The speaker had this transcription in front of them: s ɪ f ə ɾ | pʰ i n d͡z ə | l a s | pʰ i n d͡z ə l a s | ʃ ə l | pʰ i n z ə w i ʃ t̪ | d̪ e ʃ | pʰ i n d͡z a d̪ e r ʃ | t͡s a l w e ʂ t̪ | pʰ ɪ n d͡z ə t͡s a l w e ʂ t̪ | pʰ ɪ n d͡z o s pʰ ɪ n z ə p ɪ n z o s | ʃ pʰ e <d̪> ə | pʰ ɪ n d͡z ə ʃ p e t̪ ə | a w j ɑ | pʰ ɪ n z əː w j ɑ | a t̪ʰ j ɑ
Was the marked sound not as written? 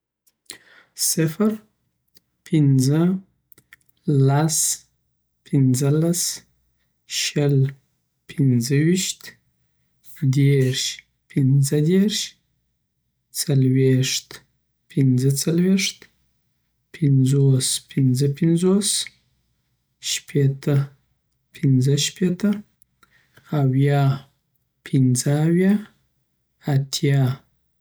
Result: yes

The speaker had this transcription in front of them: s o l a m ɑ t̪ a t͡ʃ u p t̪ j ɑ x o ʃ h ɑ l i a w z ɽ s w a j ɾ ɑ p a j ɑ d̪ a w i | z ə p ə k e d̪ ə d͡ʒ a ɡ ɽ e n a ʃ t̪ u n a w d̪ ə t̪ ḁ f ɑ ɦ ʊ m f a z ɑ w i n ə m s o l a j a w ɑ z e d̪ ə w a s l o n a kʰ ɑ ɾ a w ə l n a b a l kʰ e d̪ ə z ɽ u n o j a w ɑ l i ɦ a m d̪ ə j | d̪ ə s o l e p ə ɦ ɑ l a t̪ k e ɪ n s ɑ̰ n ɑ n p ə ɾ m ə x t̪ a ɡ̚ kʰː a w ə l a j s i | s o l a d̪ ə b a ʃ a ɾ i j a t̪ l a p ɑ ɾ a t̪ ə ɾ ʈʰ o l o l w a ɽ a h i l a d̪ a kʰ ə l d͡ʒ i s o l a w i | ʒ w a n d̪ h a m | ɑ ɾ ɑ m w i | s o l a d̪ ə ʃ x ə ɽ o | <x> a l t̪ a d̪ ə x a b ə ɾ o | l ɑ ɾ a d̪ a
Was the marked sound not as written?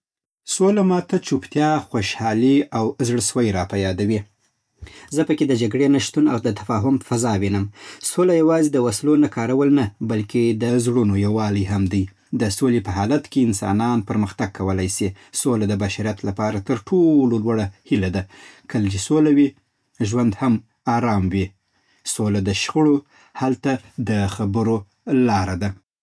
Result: yes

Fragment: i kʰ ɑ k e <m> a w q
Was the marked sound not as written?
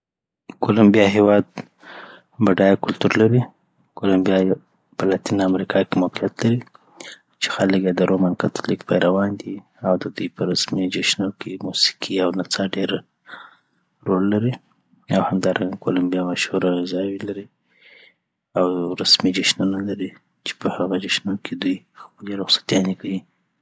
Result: no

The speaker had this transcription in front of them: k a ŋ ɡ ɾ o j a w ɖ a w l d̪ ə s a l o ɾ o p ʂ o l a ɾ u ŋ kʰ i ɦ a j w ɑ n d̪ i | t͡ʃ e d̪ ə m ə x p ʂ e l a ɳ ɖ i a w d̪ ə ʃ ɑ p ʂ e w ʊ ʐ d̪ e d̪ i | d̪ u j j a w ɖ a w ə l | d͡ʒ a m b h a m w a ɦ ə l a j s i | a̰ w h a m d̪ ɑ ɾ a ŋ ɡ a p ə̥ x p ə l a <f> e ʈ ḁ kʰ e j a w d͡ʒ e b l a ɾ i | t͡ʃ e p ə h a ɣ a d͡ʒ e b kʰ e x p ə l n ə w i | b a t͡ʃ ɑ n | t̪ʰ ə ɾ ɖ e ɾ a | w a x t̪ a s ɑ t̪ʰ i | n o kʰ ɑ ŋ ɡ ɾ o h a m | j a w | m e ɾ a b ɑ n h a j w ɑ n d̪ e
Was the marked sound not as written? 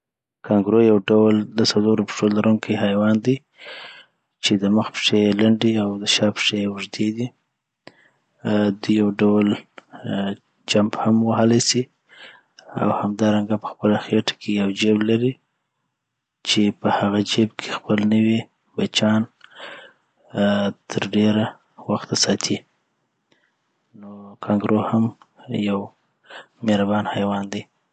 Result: yes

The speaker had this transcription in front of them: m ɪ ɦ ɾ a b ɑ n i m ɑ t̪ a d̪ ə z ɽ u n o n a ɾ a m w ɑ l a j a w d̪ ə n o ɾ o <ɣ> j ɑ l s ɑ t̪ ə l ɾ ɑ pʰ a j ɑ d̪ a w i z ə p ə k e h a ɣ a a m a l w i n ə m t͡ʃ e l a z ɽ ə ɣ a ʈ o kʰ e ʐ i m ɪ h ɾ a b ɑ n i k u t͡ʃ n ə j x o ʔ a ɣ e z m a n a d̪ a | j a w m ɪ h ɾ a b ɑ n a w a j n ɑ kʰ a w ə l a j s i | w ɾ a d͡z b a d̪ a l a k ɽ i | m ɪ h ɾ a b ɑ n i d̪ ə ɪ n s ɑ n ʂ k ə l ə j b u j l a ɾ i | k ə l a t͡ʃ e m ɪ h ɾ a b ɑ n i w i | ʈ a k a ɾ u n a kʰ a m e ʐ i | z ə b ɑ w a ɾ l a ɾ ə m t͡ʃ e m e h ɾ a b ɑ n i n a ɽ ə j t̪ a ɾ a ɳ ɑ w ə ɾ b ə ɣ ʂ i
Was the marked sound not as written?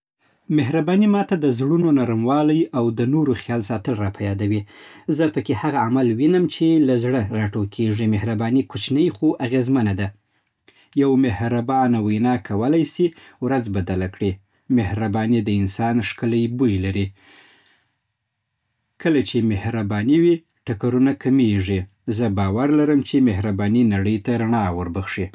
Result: yes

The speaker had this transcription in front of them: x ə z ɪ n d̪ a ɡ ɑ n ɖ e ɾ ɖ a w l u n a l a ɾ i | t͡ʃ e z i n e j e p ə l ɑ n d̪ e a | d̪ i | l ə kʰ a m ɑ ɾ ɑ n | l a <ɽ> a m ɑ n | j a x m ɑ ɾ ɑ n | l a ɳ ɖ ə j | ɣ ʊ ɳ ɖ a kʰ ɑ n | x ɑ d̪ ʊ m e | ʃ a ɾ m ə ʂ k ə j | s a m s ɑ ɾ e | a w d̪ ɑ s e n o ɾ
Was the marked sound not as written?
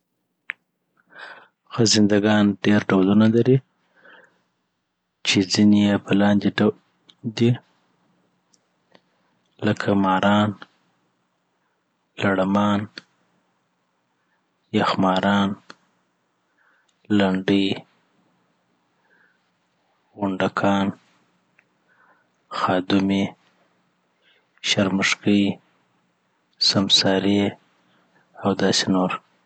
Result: no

